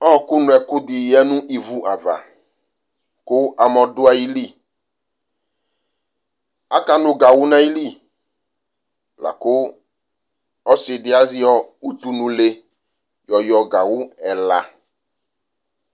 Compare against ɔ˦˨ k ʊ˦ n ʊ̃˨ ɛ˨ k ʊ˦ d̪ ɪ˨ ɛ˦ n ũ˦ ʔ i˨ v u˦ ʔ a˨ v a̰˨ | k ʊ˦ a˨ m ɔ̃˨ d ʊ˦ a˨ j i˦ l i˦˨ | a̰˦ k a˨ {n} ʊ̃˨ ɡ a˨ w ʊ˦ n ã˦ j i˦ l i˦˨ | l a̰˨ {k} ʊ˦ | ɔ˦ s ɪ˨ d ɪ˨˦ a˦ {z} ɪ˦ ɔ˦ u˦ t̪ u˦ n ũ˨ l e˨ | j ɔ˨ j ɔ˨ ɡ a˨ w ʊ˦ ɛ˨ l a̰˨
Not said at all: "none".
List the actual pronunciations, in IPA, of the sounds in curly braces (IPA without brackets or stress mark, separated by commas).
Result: n, k, z